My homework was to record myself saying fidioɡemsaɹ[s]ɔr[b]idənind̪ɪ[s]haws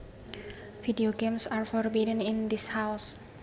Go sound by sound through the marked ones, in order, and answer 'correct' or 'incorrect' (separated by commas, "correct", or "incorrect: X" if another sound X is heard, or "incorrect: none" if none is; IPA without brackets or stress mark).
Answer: incorrect: f, correct, correct